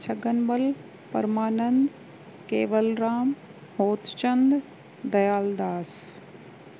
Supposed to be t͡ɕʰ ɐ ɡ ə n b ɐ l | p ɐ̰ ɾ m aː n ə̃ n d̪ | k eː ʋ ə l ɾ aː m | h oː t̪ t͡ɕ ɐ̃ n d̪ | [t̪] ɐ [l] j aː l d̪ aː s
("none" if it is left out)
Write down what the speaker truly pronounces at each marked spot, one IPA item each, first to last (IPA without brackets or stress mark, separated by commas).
d̪, none